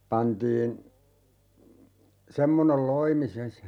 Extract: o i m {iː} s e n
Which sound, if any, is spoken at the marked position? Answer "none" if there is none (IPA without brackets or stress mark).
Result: i